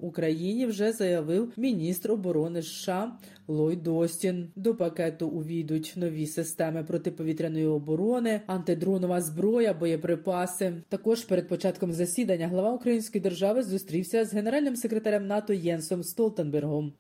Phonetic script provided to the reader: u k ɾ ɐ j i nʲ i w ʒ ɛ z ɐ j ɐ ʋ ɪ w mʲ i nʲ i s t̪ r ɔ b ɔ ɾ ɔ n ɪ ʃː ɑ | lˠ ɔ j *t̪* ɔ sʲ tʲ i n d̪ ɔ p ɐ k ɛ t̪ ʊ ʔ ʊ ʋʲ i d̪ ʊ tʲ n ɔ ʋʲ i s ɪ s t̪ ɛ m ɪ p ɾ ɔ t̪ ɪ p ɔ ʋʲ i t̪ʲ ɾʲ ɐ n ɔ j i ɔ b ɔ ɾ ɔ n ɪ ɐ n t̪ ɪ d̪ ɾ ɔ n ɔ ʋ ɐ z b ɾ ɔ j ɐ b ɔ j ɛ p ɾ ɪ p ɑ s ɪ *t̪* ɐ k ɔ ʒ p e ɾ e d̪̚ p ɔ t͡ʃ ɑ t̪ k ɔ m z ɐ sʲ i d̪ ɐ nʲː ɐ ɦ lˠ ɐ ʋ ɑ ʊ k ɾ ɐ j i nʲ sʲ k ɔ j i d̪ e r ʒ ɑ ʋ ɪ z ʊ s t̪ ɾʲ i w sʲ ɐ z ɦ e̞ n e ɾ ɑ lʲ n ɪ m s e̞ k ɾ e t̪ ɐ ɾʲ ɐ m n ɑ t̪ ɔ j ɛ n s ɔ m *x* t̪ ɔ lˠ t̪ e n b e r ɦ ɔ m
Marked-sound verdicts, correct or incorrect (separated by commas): incorrect, correct, incorrect